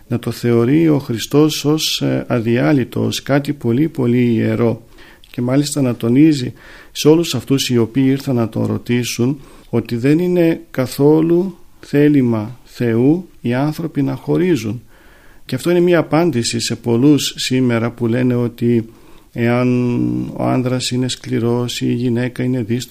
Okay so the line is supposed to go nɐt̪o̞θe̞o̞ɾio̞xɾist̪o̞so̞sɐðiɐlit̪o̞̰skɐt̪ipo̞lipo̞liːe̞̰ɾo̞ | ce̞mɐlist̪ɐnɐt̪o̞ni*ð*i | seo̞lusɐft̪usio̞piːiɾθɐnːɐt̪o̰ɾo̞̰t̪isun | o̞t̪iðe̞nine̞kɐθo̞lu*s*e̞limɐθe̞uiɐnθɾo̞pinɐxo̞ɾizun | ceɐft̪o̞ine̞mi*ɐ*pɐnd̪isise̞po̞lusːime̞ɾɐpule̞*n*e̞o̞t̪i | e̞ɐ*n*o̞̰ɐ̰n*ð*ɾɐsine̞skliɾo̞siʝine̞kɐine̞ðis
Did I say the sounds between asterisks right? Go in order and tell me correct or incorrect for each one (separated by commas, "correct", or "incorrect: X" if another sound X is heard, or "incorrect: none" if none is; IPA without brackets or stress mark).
incorrect: z, incorrect: θ, incorrect: ɐː, correct, correct, correct